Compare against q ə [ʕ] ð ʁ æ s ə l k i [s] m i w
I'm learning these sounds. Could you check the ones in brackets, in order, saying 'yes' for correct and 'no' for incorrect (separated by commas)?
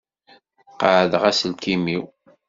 yes, no